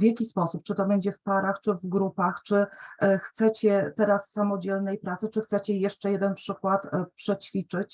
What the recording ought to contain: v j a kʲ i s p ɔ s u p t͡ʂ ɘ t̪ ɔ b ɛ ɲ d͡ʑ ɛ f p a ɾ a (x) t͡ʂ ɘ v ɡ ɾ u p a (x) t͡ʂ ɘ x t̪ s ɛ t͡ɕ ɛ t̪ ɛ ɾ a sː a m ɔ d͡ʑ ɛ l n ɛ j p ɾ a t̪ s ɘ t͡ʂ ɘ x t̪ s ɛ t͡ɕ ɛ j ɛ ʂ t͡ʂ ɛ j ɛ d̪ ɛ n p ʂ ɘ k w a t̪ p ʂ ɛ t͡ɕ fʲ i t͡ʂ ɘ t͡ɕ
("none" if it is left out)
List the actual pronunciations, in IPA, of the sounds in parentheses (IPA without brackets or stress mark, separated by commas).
x, x